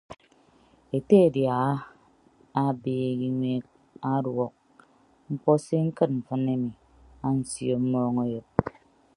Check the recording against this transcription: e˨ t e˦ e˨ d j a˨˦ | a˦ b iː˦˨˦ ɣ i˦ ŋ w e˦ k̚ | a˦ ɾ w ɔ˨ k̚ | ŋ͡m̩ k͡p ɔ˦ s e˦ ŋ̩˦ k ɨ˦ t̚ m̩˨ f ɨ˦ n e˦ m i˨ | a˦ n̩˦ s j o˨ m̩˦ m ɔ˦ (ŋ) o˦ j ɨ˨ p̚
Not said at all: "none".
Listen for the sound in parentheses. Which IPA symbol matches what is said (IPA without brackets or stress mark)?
ŋ